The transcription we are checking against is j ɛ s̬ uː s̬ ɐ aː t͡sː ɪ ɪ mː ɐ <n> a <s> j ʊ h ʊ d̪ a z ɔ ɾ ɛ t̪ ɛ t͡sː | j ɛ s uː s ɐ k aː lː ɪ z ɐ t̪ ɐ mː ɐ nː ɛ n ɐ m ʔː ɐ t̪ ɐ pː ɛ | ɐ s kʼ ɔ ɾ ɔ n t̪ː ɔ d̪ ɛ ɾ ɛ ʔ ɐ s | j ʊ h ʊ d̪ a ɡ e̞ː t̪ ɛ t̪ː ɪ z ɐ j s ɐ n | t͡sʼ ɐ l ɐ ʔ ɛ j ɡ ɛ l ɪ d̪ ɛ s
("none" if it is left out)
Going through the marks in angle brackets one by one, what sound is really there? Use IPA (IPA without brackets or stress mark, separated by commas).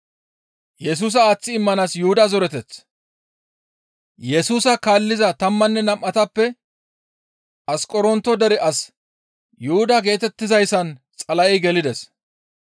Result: n, s